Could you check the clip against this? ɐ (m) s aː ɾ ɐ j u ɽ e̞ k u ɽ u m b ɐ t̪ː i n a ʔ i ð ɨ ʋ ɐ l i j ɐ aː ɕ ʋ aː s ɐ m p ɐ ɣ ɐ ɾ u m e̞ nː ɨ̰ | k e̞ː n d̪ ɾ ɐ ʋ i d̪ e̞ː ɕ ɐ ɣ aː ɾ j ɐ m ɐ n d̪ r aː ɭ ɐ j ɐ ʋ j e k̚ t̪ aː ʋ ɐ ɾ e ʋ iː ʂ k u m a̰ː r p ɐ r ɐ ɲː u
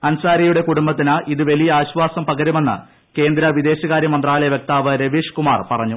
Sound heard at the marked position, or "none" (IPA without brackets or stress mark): n